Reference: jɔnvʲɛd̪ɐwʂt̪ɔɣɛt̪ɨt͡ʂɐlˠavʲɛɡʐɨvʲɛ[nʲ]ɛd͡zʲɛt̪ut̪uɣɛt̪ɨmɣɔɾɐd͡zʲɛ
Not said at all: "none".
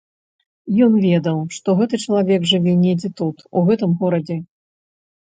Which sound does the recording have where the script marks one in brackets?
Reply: nʲ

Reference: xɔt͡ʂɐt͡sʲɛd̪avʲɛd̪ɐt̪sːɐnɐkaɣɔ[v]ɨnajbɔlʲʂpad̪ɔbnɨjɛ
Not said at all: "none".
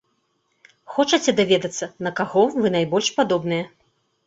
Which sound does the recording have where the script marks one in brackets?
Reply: v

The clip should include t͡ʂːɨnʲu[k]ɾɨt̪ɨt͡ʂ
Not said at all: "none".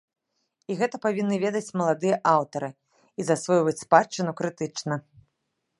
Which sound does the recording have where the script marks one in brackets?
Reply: k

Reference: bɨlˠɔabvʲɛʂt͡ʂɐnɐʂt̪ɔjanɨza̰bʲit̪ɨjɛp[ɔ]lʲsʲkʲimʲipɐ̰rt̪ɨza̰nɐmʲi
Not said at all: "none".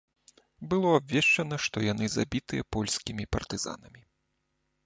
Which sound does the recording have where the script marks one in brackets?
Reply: ɔ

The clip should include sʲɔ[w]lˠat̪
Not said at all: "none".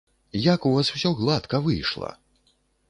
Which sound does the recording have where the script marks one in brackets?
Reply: ɣ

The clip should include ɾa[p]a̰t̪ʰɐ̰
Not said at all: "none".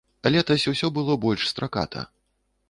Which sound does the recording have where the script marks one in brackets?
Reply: k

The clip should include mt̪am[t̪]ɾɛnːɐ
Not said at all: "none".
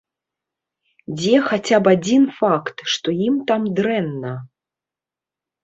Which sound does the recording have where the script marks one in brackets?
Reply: d̪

